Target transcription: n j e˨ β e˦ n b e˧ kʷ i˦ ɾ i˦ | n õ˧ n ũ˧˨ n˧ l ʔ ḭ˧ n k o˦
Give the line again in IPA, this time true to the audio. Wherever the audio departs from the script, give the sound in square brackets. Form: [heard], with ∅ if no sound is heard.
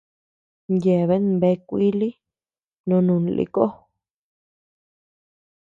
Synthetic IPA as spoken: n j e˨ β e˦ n b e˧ kʷ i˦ [l] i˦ | n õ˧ n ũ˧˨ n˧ l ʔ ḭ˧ [∅] k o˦